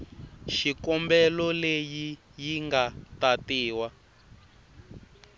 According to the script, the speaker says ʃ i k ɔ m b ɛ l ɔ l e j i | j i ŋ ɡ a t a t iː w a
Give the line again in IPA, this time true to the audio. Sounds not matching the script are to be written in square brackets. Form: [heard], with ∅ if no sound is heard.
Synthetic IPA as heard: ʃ i k ɔ m b ɛ l ɔ l e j i | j i ŋ ɡ a t a t iː w a